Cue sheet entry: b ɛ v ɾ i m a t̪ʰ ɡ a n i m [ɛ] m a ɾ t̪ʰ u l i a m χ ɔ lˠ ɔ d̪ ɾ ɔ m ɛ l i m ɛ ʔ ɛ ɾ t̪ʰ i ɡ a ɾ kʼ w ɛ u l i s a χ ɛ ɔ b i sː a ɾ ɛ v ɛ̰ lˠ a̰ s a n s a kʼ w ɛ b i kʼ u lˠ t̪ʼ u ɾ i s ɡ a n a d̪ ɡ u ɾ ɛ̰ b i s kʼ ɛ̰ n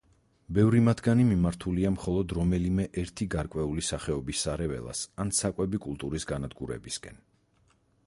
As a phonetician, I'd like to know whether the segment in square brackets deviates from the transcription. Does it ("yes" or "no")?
yes